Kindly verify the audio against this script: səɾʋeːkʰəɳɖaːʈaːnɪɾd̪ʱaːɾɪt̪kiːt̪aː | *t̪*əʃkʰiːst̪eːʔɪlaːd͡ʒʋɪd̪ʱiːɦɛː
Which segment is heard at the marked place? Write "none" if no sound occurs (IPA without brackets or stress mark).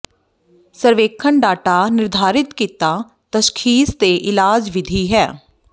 t̪